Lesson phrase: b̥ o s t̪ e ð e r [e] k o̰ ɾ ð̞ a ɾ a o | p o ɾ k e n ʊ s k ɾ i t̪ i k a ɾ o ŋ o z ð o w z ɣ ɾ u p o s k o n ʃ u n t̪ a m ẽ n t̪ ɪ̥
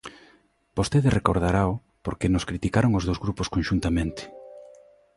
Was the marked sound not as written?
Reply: no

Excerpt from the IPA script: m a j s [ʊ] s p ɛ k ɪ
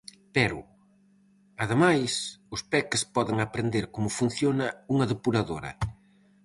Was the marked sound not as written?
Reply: no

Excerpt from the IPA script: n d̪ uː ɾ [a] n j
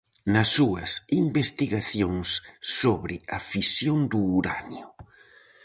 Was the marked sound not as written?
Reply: no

